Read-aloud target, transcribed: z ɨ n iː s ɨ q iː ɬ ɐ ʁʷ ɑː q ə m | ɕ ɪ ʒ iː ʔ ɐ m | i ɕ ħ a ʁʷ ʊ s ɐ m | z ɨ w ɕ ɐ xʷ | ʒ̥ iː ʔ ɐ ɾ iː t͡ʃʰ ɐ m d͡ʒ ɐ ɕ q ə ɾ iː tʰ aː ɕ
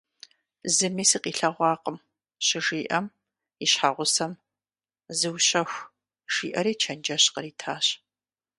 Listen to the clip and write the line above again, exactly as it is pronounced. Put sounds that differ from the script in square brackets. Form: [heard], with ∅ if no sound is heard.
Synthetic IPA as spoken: z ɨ [m] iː s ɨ q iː ɬ ɐ ʁʷ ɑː q ə m | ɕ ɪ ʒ iː ʔ ɐ m | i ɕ ħ a ʁʷ ʊ s ɐ m | z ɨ w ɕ ɐ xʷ | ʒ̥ iː ʔ ɐ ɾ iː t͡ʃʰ ɐ [n] d͡ʒ ɐ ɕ q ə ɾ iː tʰ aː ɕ